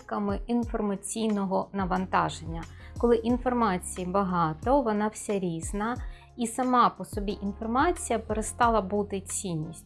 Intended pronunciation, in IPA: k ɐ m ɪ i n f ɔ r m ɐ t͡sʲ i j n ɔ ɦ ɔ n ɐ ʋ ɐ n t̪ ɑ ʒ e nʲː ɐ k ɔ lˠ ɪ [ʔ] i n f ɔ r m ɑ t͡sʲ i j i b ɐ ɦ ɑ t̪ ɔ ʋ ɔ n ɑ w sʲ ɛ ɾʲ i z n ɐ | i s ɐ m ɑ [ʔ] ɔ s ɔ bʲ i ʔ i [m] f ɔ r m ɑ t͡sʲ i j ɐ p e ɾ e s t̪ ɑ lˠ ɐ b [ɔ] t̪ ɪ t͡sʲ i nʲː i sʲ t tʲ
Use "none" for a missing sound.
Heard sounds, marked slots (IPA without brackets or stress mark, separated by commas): ʔ, p, n, u